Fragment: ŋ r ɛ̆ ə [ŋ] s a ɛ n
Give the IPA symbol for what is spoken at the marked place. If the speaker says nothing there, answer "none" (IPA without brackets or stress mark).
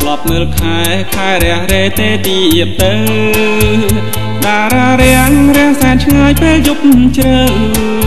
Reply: ŋ